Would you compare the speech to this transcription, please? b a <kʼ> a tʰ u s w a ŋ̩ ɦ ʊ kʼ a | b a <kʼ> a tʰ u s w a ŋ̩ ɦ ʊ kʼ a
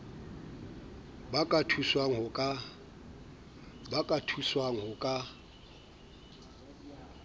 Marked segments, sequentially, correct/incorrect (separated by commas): correct, correct